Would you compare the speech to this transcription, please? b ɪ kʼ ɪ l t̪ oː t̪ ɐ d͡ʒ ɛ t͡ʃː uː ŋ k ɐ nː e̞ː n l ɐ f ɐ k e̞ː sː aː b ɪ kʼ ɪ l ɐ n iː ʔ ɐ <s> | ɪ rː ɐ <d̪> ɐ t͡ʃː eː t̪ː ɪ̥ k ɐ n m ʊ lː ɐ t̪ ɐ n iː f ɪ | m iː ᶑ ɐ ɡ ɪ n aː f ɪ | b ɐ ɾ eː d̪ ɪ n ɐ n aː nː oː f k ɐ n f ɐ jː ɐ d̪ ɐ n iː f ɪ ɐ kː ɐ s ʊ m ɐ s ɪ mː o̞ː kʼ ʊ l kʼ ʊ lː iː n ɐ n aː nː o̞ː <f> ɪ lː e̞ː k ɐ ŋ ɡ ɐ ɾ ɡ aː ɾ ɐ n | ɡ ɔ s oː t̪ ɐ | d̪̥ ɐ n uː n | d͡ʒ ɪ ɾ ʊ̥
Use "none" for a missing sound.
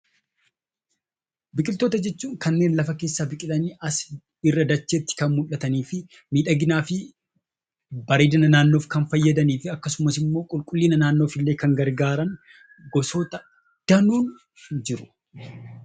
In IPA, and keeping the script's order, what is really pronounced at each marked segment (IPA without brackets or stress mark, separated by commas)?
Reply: s, d̪, f